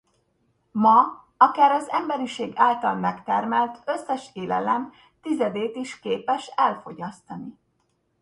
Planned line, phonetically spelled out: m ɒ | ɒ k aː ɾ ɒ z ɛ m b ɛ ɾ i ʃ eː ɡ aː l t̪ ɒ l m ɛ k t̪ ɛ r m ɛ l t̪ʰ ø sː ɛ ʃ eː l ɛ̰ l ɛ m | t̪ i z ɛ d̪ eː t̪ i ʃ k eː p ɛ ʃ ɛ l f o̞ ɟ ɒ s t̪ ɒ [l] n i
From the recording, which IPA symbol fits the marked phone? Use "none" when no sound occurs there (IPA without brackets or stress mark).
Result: none